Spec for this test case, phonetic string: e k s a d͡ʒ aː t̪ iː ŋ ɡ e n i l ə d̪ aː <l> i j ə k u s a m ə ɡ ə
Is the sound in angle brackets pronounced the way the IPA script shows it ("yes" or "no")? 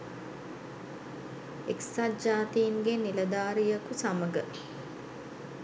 no